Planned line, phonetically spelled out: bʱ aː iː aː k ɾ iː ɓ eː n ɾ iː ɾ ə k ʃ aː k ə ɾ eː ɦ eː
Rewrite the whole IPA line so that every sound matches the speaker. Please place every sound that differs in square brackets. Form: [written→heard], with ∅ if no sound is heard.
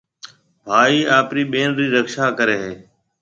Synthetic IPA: bʱ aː iː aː [k→p] ɾ iː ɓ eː n ɾ iː ɾ ə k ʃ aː k ə ɾ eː ɦ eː